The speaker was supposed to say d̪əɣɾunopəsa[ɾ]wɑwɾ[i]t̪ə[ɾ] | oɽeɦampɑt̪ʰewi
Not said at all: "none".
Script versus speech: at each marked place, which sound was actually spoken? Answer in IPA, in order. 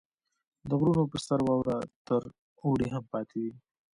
ɾ, a, ɾ

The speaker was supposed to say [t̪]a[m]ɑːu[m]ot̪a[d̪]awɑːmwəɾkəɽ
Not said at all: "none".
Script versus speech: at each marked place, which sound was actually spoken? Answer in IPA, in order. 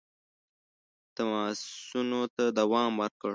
t̪, m, n, d̪

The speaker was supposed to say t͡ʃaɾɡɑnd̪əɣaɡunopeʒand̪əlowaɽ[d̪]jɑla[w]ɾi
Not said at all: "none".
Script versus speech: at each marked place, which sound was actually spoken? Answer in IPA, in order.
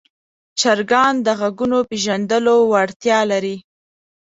t̪, none

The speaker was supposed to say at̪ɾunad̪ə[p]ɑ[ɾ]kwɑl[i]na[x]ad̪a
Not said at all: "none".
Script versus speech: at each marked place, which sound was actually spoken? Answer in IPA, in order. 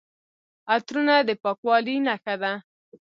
p, none, i, x

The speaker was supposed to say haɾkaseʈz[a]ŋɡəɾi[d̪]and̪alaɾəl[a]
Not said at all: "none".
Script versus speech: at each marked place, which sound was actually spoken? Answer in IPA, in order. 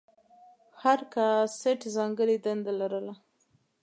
ɑ, d̪, a

